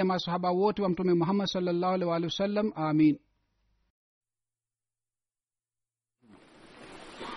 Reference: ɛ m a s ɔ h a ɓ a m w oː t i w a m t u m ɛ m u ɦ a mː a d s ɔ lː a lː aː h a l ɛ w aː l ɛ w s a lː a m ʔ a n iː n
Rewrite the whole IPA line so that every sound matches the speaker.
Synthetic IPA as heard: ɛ m a s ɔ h a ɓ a w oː t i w a m t u m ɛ m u ɦ a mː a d s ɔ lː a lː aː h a l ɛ w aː l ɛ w s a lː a m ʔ a m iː n